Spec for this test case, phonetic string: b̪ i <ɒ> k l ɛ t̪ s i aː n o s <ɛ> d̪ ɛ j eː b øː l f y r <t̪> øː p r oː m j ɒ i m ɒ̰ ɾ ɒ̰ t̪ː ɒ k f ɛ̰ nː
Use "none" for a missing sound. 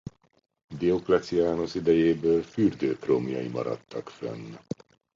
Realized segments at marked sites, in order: o, i, d̪

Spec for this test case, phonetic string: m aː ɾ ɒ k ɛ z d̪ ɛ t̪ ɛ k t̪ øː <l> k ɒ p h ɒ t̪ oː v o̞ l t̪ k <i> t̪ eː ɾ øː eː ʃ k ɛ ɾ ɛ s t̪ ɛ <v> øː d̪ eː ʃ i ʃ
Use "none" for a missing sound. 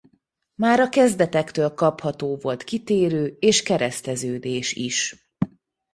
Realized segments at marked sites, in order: l, i, z

